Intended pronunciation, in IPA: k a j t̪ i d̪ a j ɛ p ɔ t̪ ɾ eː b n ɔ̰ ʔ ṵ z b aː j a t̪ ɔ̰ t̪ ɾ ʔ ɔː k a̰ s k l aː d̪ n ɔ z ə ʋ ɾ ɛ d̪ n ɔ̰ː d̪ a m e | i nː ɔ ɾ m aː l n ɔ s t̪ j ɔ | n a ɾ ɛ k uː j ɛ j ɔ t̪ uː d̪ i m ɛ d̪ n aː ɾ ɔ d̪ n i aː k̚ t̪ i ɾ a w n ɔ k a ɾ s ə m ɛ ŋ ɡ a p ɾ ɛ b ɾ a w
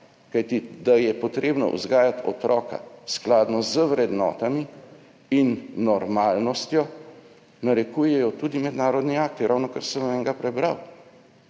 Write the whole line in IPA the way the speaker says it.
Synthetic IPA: k a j t̪ i d̪ a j ɛ p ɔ t̪ ɾ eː b n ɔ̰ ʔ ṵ z ɡ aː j a t̪ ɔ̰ t̪ ɾ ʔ ɔː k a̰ s k l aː d̪ n ɔ z ə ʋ ɾ ɛ d̪ n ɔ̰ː t̪ a m i | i nː ɔ ɾ m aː l n ɔ s t̪ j ɔ | n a ɾ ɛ k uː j ɛ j ɔ t̪ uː d̪ i m ɛ d̪ n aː ɾ ɔ d̪ n i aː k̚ t̪ i ɾ a w n ɔ k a ɾ s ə m ɛ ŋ ɡ a p ɾ ɛ b ɾ a w